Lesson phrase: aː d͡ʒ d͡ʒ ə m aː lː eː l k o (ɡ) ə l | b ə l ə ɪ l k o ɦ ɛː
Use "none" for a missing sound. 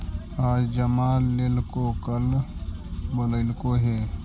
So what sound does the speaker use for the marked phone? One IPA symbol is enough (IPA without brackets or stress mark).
k